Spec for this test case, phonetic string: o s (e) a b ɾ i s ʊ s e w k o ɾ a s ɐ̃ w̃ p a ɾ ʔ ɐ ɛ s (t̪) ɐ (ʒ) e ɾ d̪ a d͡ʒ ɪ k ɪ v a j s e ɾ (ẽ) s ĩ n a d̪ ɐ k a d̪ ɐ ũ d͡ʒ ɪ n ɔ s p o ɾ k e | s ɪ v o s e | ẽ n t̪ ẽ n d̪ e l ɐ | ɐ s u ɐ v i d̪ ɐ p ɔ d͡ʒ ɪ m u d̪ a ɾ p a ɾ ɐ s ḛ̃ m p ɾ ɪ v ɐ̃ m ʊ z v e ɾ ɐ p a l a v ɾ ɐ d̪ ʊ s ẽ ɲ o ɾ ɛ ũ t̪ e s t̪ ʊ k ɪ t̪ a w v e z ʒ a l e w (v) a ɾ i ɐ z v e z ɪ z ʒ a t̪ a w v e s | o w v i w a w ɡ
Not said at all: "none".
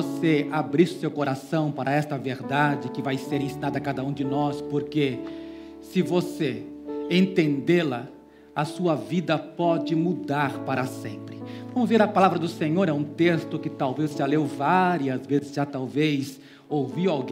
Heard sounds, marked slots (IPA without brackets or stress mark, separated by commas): e, t̪, v, ẽ, v